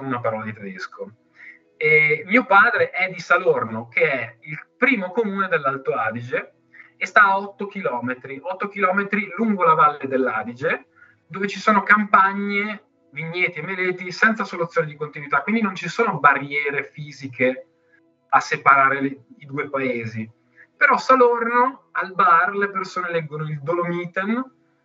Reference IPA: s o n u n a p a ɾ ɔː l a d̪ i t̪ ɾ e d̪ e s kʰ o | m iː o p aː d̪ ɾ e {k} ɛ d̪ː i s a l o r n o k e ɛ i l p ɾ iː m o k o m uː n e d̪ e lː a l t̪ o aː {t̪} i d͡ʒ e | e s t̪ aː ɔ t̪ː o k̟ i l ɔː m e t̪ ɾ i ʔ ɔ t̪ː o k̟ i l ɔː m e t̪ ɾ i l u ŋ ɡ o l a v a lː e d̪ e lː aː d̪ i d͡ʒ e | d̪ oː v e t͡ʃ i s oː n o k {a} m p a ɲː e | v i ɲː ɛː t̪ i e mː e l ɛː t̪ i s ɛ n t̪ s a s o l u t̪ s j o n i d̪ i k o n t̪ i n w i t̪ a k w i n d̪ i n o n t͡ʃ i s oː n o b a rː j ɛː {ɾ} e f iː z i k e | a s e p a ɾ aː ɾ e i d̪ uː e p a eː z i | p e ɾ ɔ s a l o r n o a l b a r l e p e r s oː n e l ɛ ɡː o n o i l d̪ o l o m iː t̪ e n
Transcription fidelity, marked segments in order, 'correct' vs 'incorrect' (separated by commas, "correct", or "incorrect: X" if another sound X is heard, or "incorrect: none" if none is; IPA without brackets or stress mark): incorrect: ʔ, incorrect: d̪, correct, correct